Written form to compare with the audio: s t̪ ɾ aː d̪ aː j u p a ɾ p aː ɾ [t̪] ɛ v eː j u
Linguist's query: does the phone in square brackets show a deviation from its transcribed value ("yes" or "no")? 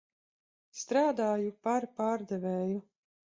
yes